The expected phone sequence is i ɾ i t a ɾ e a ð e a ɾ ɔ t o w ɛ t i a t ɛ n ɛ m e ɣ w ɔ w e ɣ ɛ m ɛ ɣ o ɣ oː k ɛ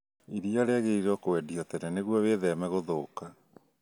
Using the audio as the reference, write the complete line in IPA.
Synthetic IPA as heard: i ɾ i a ɾ e a ɣ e i ɾ ɔ k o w ɛ d i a t ɛ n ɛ n e ɣ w ɔ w e ð ɛ m ɛ ɣ o ð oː k a